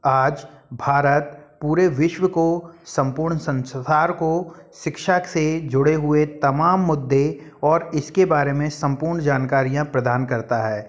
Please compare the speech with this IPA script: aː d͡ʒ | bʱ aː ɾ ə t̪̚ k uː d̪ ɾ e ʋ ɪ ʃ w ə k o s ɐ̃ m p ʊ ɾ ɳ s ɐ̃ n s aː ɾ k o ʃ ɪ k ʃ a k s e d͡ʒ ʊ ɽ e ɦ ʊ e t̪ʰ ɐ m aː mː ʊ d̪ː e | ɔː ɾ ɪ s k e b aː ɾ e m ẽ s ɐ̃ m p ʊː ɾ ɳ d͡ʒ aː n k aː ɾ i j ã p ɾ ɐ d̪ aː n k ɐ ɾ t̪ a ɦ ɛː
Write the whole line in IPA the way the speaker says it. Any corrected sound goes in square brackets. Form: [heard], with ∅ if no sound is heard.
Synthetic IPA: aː d͡ʒ | bʱ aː ɾ ə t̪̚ [p] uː [∅] ɾ e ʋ ɪ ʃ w ə k o s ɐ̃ m p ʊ ɾ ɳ s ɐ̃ n s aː ɾ k o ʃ ɪ k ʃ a k s e d͡ʒ ʊ ɽ e ɦ ʊ e [t̪] ɐ m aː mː ʊ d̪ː e | ɔː ɾ ɪ s k e b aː ɾ e m ẽ s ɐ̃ m p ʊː ɾ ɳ d͡ʒ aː n k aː ɾ i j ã p ɾ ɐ d̪ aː n k ɐ ɾ t̪ a ɦ ɛː